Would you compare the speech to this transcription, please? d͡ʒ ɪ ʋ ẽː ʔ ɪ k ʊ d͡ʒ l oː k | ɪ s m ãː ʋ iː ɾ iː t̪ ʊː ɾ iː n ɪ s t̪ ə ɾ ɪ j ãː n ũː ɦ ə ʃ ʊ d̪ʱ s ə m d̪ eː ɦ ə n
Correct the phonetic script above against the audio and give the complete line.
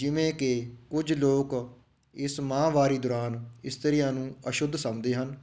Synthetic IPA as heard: d͡ʒ ɪ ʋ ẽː k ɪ k ʊ d͡ʒ l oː k | ɪ s m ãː ʋ aː ɾ iː d̪ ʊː ɾ aː n ɪ s t̪ ə ɾ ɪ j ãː n ũː ə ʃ ʊ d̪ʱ s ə m d̪ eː ɦ ə n